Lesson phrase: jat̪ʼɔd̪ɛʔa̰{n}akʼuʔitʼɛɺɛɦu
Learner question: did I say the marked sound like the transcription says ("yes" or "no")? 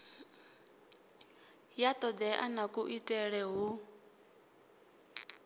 yes